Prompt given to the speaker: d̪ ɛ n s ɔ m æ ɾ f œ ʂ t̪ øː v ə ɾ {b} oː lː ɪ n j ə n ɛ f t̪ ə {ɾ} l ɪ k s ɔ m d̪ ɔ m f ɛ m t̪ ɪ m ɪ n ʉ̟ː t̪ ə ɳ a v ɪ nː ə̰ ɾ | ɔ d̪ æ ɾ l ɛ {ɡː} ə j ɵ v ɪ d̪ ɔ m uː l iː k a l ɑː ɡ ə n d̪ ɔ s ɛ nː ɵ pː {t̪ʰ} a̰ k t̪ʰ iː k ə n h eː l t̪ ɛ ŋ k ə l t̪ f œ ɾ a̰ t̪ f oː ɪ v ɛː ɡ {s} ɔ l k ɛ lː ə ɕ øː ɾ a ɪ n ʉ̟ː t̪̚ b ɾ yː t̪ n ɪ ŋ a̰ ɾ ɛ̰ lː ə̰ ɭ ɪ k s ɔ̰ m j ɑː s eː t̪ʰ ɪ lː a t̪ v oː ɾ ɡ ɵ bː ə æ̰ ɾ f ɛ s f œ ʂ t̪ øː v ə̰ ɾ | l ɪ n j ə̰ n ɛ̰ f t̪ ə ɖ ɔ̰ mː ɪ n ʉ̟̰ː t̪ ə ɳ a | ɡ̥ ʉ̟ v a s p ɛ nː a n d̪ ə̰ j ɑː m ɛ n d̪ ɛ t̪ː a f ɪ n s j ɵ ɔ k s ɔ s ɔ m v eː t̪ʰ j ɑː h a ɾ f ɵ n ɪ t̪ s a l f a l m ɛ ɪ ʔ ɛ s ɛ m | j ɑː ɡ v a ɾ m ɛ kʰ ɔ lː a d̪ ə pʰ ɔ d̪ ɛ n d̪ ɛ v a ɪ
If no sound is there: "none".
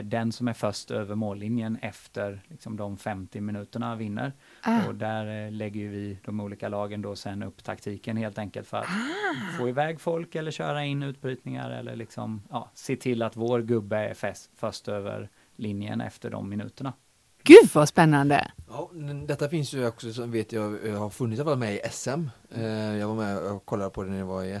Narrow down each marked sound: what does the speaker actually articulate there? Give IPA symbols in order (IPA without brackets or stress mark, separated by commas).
m, ɾ, ɡː, t̪ʰ, f